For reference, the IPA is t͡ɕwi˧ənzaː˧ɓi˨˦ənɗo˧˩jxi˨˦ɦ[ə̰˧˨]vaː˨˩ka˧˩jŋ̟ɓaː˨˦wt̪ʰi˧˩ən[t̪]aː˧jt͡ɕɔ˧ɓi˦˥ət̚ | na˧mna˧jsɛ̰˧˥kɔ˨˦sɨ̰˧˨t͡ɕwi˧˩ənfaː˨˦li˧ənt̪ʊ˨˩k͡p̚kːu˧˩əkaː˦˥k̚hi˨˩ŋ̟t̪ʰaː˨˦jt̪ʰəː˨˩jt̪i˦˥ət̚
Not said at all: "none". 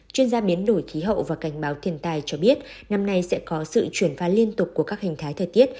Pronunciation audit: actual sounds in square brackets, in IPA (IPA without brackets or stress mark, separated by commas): ə̰˧˨, t̪